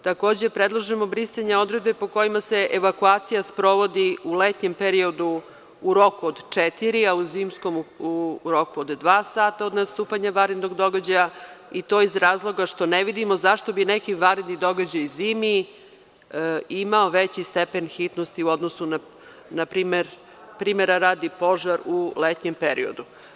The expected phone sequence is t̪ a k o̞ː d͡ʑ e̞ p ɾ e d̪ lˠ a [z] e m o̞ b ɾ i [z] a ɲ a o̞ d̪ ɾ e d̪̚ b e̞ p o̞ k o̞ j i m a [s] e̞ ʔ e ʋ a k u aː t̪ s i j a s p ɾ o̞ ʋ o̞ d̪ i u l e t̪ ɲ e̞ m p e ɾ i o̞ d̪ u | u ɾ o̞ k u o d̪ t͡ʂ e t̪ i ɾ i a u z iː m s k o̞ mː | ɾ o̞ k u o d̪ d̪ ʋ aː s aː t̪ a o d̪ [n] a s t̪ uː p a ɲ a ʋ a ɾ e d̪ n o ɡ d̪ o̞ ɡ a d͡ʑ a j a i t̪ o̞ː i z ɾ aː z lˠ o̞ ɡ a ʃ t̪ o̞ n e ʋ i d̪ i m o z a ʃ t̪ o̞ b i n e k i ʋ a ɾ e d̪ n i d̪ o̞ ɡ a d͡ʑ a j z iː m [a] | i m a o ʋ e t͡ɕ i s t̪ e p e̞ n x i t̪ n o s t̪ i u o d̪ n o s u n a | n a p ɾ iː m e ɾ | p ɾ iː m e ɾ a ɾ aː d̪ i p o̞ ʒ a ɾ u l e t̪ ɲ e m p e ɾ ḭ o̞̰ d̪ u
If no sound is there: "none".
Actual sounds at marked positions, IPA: ʒ, s, s, n, i

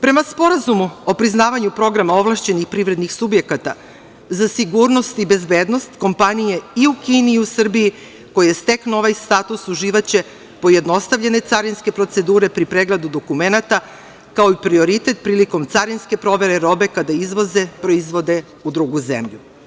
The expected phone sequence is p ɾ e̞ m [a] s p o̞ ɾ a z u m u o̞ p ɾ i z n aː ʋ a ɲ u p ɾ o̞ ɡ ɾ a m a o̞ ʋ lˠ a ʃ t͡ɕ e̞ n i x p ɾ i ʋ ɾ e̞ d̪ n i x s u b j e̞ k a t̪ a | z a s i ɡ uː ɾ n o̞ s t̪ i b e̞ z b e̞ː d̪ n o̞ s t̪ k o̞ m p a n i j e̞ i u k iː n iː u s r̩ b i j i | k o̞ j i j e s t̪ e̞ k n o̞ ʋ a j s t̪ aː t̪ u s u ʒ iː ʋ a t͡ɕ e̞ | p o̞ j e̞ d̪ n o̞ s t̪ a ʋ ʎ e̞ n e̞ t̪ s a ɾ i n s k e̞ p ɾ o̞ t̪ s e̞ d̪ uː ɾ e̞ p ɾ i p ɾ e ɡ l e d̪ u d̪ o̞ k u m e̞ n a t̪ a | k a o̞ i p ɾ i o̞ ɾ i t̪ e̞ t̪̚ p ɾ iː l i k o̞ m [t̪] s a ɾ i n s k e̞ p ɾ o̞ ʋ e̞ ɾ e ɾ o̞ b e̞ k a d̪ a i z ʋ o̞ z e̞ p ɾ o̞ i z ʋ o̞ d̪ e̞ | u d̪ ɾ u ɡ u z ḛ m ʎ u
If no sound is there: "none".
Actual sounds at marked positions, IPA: a, t̪

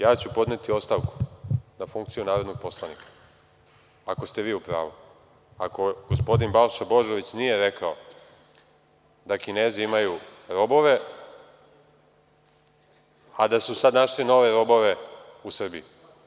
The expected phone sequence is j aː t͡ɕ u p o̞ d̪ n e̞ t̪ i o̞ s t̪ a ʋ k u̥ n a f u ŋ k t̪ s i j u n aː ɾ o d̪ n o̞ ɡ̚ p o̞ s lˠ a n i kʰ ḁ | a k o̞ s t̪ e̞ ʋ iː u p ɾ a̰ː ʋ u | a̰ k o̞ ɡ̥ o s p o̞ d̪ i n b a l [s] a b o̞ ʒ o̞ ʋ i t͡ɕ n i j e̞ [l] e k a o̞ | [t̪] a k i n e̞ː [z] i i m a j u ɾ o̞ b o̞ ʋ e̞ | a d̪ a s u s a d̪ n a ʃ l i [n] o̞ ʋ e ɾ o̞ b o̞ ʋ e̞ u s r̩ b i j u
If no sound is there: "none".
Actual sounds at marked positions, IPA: ʃ, ɾ, d̪, z, n

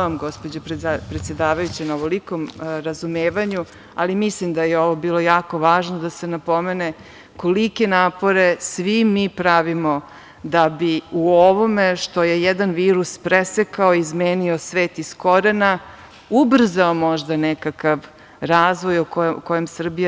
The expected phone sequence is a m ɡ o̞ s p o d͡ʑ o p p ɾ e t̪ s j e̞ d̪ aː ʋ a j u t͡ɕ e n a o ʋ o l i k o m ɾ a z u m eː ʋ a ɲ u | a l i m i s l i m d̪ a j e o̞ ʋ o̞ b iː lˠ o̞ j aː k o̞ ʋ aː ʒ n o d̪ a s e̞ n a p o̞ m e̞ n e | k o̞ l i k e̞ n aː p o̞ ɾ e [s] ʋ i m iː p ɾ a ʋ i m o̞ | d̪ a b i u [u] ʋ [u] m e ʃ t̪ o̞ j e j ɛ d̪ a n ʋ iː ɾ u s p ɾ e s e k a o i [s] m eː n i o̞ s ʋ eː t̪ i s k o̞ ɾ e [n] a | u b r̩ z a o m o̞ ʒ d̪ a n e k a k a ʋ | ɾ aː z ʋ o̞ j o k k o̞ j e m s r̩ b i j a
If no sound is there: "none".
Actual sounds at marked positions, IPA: s, o, o, z, n

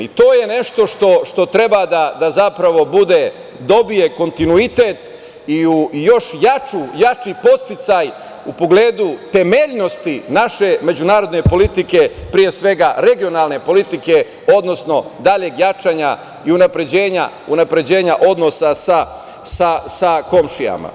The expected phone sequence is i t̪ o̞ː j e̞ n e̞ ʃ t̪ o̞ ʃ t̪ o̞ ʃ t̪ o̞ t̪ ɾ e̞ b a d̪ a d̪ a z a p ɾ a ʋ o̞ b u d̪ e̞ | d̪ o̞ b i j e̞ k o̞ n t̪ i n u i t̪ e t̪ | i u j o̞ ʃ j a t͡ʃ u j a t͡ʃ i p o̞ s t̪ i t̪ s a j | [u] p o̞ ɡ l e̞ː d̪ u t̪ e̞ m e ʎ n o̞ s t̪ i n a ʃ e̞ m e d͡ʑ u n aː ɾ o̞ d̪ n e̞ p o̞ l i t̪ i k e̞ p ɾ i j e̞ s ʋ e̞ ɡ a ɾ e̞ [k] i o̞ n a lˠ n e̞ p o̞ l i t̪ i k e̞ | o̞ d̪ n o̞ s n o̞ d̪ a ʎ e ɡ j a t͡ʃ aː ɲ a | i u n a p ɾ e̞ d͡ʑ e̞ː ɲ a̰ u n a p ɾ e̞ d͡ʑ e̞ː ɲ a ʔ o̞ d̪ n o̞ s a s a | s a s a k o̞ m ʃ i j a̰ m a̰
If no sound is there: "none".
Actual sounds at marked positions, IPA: u, ɡ

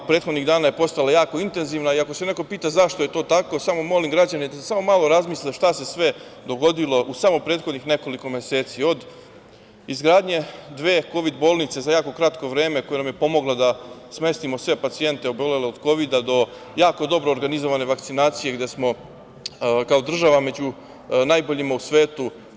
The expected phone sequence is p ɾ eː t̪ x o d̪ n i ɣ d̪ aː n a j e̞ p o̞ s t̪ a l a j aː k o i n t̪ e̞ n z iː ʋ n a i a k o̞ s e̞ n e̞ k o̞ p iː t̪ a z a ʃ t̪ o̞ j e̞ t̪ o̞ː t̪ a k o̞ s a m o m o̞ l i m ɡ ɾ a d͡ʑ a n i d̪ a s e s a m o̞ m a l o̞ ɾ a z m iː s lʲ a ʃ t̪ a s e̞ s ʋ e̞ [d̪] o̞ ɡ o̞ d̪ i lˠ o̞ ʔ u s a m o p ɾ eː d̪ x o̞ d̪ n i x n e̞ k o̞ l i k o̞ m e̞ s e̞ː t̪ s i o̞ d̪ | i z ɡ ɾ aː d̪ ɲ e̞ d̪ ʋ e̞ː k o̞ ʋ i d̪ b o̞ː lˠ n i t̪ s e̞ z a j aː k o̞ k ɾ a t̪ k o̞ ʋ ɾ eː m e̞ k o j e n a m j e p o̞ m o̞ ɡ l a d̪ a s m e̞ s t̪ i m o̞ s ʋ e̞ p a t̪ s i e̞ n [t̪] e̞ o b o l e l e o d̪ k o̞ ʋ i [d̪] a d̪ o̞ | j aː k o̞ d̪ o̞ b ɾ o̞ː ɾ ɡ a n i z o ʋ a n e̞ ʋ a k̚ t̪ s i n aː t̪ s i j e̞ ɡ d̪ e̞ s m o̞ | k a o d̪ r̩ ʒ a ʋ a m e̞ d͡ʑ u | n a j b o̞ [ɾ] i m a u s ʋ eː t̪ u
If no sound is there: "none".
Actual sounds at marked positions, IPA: d̪, t̪, d̪, ʎ

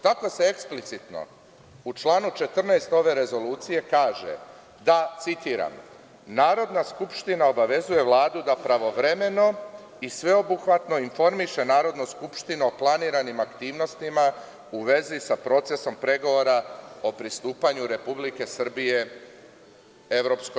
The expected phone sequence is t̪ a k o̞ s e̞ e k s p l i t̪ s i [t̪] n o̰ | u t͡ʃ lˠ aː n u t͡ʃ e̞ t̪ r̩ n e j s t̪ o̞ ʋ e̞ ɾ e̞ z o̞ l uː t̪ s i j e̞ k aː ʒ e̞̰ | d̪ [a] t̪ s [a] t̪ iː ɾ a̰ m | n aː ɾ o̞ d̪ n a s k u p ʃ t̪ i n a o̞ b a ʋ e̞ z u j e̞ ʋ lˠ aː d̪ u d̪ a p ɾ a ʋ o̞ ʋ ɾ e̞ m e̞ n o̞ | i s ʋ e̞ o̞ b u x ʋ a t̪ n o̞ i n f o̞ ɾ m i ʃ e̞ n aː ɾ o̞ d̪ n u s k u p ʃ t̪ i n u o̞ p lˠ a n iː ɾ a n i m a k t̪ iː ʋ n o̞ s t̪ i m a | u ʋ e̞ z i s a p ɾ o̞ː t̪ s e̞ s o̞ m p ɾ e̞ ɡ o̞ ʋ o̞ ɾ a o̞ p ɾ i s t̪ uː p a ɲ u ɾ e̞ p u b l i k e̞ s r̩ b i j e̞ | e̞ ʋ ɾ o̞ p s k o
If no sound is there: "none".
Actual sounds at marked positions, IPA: t̪, a, i

